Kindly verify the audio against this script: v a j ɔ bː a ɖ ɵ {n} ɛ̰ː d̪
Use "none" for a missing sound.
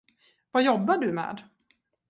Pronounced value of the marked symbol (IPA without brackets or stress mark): m